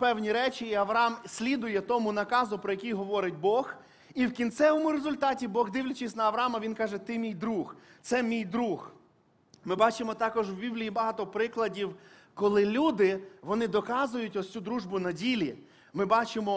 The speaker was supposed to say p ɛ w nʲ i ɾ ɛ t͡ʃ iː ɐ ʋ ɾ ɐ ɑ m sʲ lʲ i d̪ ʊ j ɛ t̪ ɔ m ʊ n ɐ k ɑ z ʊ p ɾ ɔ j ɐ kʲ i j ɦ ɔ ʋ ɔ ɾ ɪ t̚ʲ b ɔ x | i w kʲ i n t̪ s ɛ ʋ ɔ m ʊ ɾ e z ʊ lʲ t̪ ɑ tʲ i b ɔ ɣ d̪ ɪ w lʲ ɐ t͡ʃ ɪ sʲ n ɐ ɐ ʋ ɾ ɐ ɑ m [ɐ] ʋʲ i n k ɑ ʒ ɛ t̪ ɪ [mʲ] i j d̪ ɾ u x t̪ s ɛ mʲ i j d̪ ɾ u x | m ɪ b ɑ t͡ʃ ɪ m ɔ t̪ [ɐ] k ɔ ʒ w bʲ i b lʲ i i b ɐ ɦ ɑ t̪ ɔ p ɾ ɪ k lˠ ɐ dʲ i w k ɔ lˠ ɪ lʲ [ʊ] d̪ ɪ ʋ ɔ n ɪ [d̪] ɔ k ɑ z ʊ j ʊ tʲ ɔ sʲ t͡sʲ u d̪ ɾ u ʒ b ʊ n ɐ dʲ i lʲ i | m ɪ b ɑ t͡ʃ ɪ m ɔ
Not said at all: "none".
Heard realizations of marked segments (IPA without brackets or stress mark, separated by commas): ɐ, mʲ, ɑ, u, d̪